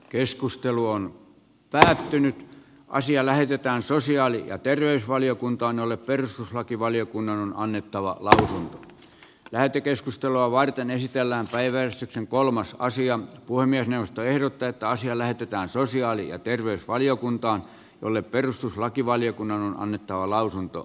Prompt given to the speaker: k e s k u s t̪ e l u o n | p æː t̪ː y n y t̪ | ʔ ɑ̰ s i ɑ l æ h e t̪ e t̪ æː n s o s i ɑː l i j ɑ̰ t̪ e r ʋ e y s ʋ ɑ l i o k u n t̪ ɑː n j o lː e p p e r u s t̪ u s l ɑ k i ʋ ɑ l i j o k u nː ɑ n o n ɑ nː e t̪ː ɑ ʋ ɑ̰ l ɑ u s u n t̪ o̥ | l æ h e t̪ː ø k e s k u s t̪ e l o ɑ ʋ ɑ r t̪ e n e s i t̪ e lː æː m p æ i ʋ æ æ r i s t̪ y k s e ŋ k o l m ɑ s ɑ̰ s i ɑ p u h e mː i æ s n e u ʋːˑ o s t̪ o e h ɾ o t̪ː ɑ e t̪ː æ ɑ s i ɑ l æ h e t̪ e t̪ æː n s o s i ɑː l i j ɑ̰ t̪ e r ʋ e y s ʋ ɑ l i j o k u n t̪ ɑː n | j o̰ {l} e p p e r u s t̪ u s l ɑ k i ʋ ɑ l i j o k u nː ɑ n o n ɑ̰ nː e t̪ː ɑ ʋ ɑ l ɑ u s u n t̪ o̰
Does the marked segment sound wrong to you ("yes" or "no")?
yes